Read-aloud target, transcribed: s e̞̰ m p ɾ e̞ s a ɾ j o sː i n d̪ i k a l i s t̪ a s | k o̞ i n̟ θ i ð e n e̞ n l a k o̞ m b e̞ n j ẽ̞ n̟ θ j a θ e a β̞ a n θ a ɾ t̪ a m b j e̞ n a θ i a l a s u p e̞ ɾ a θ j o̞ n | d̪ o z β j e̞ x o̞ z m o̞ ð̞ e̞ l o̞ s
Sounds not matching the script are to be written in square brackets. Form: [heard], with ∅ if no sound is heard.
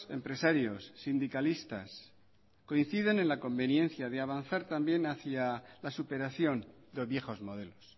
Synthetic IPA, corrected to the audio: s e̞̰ m p ɾ e̞ s a ɾ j o sː i n d̪ i k a l i s t̪ a s | k o̞ i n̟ θ i ð e n e̞ n l a k o̞ m b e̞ n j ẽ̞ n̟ θ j a [ð] e a β̞ a n θ a ɾ t̪ a m b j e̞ n a θ [j] a l a s u p e̞ ɾ a θ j o̞ n | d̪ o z β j e̞ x o̞ z m o̞ ð̞ e̞ l o̞ s